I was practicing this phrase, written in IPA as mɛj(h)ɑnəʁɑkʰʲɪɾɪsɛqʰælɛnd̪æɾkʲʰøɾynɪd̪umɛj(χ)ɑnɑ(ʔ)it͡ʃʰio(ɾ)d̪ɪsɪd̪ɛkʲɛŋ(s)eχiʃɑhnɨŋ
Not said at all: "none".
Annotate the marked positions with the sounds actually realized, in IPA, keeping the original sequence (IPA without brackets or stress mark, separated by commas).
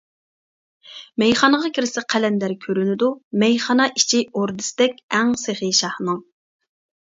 χ, χ, ʔ, ɾ, s